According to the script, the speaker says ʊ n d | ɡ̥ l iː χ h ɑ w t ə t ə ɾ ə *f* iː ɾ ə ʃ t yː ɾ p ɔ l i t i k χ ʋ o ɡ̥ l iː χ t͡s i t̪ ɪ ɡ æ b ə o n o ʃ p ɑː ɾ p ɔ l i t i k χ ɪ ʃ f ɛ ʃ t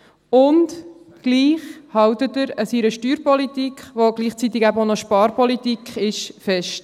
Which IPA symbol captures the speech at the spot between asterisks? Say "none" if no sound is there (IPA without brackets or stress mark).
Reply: s